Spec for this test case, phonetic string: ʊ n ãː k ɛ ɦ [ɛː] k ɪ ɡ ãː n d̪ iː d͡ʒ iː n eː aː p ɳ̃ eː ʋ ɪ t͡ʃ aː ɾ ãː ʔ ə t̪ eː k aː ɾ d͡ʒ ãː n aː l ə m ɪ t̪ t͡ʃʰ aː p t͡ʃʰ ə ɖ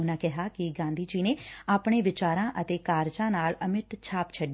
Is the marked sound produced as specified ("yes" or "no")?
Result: no